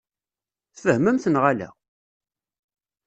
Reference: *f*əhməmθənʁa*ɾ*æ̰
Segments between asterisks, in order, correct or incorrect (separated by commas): incorrect, incorrect